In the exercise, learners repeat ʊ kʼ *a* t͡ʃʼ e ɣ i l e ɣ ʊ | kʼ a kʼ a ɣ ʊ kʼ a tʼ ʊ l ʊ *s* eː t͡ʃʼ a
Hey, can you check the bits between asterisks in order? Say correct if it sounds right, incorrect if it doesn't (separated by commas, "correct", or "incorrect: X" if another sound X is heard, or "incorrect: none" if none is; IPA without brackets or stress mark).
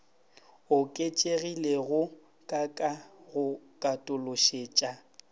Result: incorrect: e, incorrect: ʃ